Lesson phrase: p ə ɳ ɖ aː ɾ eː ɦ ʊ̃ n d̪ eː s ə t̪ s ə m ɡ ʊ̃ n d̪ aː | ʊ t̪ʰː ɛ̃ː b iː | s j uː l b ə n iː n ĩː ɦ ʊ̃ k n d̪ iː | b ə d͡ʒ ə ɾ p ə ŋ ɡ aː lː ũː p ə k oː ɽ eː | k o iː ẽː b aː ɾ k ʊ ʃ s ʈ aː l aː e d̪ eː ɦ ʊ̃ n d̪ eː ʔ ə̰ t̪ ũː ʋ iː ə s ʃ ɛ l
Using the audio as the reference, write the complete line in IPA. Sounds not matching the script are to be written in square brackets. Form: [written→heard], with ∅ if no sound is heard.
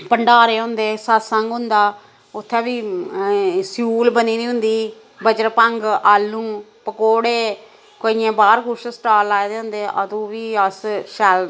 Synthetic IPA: p ə ɳ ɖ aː ɾ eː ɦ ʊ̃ n d̪ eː s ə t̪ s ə [m→ŋ] ɡ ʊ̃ n d̪ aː | ʊ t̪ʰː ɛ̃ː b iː | s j uː l b ə n iː n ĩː ɦ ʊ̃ [k→∅] n d̪ iː | b ə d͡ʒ ə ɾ p ə ŋ ɡ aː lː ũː p ə k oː ɽ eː | k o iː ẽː b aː ɾ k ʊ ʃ s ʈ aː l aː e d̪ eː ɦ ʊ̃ n d̪ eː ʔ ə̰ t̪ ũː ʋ iː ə s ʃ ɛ l